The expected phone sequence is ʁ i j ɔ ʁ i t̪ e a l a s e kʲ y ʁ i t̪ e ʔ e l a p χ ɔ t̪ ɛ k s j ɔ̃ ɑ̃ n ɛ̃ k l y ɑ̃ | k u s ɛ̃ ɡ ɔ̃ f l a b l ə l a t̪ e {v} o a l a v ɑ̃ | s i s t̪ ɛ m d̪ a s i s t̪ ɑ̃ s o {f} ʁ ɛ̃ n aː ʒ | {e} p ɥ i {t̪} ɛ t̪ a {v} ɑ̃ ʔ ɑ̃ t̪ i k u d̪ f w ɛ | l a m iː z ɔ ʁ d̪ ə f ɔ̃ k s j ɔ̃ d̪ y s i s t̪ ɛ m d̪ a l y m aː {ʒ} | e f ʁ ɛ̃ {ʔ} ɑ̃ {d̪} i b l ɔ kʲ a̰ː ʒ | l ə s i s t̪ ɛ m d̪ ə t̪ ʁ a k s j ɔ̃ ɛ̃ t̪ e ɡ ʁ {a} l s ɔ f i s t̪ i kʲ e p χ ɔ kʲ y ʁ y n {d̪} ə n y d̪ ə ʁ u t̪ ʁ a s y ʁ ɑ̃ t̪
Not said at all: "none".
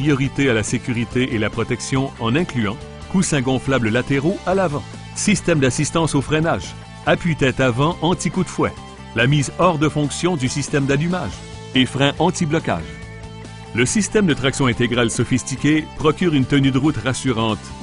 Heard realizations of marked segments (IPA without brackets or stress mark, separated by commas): ʁ, f, a, t̪, v, ʒ, ʔ, t̪, a, t̪